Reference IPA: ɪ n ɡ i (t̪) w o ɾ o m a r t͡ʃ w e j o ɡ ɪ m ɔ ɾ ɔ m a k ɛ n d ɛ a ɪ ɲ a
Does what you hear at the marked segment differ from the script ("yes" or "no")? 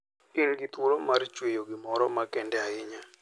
no